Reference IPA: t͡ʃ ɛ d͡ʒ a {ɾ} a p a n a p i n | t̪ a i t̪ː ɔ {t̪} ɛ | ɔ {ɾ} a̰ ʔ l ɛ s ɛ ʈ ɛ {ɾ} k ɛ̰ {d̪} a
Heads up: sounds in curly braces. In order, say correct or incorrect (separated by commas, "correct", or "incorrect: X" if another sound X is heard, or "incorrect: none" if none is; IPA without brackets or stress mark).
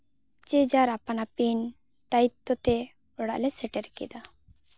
correct, correct, incorrect: ɽ, correct, correct